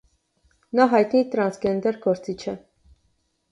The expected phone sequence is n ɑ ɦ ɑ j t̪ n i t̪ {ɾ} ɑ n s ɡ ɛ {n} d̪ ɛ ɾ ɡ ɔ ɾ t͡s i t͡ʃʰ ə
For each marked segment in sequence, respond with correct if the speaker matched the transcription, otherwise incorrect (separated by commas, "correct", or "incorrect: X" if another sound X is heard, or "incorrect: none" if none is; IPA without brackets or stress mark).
correct, correct